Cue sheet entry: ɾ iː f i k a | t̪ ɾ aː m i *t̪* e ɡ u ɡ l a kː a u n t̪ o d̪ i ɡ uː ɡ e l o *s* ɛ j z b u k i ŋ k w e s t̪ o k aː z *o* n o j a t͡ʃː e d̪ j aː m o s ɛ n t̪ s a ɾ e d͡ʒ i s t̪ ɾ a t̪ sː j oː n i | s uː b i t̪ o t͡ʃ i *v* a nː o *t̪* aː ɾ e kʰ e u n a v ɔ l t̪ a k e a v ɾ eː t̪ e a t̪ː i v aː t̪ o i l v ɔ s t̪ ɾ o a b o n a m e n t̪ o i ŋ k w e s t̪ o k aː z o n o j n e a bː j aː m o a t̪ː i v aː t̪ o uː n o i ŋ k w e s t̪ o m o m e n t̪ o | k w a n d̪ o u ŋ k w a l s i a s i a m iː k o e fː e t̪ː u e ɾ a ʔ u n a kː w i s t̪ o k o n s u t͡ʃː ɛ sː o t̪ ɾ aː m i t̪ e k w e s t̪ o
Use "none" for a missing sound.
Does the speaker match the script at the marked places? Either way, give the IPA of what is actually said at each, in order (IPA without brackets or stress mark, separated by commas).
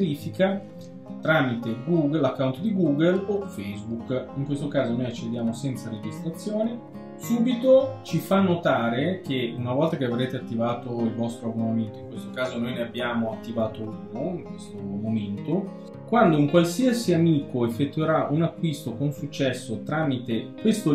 t̪, f, o, f, t̪